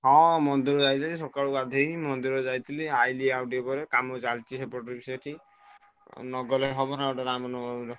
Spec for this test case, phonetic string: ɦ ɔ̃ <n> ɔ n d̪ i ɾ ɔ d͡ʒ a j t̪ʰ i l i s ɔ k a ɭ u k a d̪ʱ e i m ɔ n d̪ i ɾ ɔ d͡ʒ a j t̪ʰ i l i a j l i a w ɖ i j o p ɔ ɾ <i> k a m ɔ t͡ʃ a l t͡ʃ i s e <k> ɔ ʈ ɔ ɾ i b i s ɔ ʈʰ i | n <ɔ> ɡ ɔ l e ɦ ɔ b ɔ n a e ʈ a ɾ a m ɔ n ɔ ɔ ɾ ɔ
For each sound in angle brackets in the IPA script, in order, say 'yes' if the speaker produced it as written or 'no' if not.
no, no, no, yes

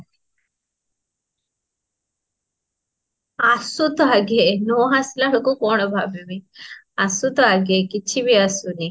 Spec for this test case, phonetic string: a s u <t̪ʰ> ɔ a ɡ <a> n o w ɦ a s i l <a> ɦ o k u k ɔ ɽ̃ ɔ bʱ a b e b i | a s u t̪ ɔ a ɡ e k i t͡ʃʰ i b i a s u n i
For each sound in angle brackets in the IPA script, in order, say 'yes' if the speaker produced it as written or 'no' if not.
no, no, yes

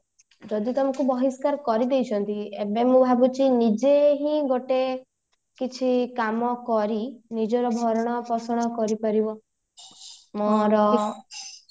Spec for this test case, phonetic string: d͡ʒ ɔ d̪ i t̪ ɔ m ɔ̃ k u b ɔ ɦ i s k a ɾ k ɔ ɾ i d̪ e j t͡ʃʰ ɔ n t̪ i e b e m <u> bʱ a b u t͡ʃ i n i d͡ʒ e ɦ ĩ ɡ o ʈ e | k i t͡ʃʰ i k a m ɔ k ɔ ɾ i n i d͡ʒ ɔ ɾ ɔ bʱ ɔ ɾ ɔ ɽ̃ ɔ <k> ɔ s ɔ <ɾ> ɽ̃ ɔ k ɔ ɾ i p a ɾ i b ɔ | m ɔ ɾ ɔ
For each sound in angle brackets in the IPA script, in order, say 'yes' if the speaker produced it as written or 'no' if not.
no, no, no

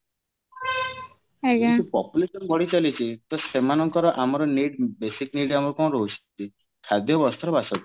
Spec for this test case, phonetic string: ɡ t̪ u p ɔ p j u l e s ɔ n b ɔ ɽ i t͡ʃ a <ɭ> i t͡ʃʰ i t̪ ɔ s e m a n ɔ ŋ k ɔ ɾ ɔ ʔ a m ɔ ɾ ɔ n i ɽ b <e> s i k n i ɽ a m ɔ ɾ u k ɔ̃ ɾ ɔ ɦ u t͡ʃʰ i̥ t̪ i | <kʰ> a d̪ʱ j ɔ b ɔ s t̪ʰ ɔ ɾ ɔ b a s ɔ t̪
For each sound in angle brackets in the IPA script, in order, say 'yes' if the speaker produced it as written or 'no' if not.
no, yes, yes

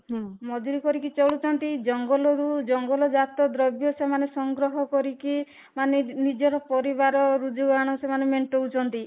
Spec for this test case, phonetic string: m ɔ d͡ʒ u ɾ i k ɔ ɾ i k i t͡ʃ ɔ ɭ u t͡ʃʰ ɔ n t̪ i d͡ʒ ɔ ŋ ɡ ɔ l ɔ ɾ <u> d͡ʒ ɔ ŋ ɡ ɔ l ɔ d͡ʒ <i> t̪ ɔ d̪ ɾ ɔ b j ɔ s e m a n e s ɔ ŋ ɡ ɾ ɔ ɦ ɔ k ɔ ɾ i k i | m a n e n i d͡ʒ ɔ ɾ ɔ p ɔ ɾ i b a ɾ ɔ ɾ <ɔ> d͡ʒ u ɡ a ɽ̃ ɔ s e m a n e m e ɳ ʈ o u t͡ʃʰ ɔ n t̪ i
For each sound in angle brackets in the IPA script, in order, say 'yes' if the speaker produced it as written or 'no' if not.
yes, no, no

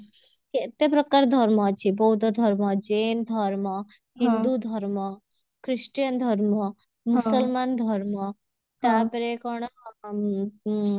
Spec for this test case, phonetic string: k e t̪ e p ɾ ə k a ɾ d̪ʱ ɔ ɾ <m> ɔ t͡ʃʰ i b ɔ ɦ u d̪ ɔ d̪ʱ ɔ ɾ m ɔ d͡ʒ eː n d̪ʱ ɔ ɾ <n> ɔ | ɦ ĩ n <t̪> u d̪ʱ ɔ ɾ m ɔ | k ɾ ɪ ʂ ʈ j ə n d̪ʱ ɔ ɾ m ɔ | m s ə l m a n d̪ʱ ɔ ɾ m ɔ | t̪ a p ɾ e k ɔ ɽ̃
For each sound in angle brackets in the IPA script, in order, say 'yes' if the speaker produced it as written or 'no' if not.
yes, no, no

